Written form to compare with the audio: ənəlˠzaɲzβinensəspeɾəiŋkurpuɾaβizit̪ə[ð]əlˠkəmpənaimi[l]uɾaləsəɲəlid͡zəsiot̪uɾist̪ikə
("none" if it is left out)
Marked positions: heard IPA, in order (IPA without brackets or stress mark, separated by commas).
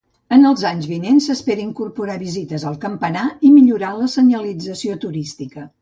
z, ʎ